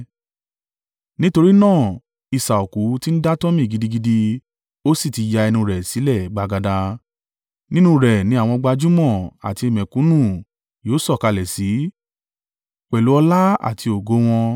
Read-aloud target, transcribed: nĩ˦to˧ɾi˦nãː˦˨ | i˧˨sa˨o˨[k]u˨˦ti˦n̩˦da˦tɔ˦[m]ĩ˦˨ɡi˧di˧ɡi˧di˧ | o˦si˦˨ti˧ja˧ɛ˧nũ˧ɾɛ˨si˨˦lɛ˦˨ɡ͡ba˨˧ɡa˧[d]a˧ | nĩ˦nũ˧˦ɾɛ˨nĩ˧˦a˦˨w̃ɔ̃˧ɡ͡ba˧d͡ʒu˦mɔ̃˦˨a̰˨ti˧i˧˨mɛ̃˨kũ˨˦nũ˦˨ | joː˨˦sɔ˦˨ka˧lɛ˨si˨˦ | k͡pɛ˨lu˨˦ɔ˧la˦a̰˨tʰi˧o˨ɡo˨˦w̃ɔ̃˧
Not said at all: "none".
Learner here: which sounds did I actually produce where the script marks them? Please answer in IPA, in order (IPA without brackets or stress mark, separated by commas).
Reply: k, m, d